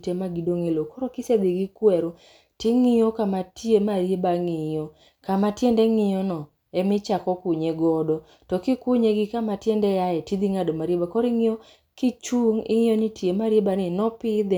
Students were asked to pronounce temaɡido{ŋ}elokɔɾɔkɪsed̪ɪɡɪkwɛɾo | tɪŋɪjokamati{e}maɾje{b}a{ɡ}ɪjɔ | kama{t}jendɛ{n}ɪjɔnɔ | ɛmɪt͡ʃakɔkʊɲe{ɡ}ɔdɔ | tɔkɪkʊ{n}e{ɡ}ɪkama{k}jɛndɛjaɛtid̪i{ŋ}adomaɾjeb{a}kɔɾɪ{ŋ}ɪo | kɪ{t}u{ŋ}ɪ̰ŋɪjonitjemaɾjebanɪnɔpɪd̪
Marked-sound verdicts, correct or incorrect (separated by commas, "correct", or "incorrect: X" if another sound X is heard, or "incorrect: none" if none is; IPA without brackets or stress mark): correct, correct, correct, incorrect: ŋ, correct, incorrect: ŋ, correct, incorrect: ɲ, correct, incorrect: t, correct, correct, correct, incorrect: t͡ʃ, correct